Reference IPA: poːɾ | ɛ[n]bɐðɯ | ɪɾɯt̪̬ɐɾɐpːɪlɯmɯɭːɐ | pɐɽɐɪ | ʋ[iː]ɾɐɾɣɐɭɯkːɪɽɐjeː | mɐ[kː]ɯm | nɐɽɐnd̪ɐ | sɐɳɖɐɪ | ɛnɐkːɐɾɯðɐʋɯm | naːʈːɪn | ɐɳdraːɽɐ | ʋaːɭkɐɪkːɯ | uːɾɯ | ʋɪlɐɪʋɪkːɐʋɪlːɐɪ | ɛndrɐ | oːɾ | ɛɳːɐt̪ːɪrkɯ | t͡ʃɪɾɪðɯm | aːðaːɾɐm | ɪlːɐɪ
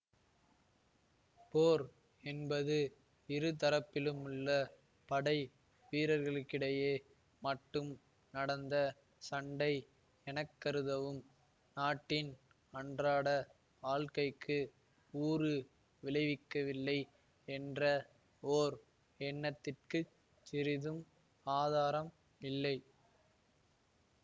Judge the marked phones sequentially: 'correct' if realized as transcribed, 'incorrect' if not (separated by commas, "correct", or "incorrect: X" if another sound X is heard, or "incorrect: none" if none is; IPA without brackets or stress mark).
correct, correct, incorrect: ʈː